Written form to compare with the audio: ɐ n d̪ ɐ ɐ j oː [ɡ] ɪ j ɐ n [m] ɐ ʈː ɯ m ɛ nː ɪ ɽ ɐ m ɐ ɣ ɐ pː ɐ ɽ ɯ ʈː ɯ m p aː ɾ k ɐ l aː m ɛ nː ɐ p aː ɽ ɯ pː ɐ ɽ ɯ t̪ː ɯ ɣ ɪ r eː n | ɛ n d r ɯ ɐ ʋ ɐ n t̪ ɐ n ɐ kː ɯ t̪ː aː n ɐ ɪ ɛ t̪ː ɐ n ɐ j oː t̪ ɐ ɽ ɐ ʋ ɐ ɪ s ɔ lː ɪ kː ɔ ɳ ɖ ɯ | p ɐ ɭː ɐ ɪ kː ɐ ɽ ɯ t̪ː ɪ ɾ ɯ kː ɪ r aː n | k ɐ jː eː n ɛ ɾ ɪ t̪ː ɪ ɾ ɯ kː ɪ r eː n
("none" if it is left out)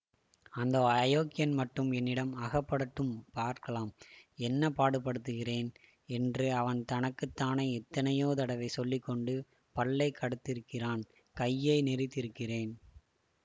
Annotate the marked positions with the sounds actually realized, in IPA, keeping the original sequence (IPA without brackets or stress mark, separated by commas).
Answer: k, m